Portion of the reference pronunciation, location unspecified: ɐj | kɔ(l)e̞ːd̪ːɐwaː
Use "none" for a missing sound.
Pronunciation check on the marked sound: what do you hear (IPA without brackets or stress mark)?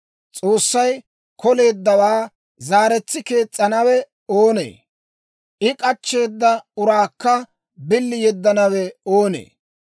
l